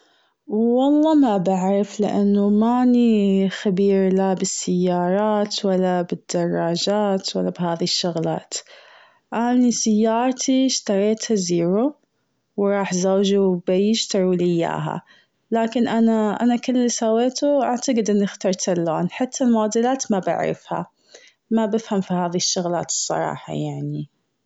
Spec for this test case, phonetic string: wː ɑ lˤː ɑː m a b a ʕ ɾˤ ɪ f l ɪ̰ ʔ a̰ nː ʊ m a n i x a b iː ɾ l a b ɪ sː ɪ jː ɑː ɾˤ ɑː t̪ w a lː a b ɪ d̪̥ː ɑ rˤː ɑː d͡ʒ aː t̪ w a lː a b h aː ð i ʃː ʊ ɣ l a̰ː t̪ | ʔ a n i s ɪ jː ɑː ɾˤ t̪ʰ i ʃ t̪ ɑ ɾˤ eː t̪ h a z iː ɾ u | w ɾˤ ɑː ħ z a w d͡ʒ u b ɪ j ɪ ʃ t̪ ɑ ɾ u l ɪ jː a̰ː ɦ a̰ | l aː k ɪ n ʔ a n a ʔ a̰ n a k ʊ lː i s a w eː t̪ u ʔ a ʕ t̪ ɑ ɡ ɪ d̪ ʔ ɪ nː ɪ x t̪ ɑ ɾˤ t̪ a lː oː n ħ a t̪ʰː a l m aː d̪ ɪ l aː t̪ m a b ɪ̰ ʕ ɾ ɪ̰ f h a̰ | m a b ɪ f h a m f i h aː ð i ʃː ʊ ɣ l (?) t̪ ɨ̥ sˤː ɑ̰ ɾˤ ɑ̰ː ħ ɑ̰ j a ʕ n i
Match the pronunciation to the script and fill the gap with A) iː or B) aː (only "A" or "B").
B